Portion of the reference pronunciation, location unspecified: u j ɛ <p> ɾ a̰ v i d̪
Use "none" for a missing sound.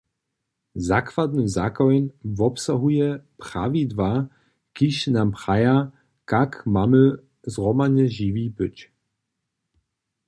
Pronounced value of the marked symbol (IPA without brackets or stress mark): p